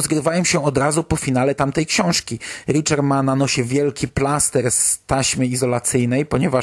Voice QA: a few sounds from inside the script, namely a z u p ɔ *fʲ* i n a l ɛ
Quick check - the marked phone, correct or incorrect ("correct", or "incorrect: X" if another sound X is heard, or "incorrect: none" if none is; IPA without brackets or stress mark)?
correct